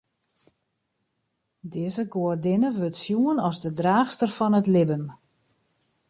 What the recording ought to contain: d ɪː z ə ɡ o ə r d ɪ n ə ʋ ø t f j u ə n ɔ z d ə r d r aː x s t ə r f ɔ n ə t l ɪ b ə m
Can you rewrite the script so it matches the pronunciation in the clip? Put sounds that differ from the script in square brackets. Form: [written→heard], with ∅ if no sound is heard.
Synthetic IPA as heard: d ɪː z ə ɡ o ə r d ɪ n ə ʋ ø t [f→s] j u ə n ɔ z d ə [r→∅] d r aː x s t ə r f ɔ n ə t l ɪ b ə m